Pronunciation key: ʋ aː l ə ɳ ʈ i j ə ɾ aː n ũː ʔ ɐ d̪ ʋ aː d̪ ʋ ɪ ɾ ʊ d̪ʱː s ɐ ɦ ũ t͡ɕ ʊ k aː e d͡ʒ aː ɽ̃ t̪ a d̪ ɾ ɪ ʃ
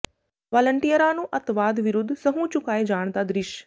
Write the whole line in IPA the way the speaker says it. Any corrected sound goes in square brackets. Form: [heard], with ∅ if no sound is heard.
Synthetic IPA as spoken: ʋ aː l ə ɳ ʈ i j ə ɾ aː n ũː ʔ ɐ [t̪] ʋ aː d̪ ʋ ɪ ɾ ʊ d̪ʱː s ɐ ɦ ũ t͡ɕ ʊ k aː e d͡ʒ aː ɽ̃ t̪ a d̪ ɾ ɪ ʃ